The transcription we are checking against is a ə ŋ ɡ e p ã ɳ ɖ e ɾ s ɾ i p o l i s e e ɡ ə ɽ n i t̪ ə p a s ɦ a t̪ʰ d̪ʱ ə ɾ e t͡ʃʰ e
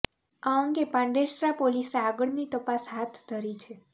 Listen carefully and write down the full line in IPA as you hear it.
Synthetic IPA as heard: a ə ŋ ɡ e p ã ɳ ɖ e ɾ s ɾ a p o l i s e a ɡ ə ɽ n i t̪ ə p a s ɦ a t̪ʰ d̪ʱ ə ɾ i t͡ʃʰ e